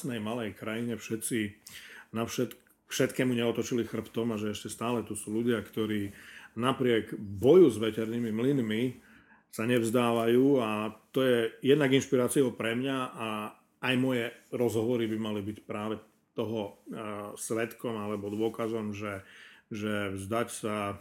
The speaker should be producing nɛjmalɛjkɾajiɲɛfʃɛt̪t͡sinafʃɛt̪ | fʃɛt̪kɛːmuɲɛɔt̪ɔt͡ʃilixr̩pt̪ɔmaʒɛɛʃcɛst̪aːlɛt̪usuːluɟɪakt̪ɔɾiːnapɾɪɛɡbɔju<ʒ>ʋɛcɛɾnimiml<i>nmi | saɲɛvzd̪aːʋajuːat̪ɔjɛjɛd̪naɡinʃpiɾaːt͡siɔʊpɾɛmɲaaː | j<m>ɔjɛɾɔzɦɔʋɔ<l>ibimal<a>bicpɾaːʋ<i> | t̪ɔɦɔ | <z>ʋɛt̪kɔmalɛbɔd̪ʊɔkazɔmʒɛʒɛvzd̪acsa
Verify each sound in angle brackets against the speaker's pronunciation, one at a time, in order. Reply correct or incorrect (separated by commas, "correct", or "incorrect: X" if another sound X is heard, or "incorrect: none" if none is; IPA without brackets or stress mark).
incorrect: z, correct, correct, incorrect: ɾ, incorrect: i, incorrect: ɛ, incorrect: s